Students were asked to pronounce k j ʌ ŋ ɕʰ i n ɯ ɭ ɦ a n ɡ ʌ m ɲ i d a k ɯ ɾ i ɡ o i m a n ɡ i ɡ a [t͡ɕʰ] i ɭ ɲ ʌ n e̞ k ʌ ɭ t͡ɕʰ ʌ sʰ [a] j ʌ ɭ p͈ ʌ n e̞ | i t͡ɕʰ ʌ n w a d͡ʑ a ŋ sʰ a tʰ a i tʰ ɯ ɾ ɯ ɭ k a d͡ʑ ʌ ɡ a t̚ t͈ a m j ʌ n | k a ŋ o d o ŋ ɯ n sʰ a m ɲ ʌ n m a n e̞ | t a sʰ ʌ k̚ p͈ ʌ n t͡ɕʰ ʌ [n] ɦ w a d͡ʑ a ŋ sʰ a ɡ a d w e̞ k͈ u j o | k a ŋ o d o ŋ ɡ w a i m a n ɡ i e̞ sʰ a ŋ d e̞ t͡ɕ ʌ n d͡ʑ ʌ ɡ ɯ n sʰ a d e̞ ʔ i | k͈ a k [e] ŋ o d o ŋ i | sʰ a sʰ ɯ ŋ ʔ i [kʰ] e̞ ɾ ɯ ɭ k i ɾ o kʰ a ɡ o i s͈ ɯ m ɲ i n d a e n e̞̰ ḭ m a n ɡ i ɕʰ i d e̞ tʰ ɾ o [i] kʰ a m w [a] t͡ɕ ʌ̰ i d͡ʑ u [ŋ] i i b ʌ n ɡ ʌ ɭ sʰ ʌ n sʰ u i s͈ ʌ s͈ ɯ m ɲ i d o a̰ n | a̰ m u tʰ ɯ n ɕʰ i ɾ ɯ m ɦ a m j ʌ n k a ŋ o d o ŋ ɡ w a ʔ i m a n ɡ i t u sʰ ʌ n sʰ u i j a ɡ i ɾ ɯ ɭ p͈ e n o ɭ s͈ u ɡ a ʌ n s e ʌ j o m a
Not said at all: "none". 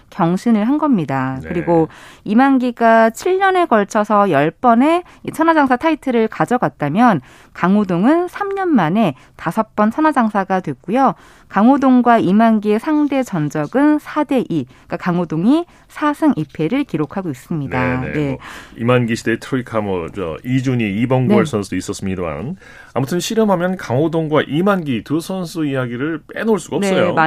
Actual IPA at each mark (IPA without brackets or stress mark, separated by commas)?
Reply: t͡ɕʰ, ʌ, n, a, pʰ, i, ʌ, ɲ